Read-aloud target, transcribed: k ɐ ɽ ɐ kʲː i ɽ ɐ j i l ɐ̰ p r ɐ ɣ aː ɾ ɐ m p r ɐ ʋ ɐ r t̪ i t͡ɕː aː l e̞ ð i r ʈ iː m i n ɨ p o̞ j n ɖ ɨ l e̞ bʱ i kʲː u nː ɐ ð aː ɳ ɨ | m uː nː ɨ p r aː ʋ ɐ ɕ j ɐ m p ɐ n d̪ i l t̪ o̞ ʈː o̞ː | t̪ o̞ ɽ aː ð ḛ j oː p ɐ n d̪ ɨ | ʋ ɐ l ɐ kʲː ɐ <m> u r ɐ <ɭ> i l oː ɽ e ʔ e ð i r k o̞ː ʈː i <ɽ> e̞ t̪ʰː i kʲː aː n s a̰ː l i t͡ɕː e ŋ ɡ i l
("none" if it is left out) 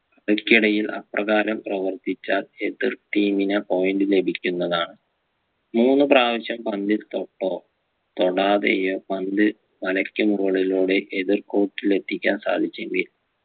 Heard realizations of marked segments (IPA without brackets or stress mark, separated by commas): m, ɭ, l